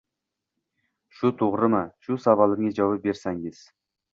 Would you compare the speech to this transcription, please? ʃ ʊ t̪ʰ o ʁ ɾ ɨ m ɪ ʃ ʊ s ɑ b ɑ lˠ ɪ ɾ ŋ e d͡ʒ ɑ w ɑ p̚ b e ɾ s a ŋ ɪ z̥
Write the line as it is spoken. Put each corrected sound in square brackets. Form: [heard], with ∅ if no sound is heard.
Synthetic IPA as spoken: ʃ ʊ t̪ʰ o ʁ ɾ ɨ m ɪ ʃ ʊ s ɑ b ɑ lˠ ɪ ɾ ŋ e d͡ʒ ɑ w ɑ p̚ b e ɾ s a ŋ ɪ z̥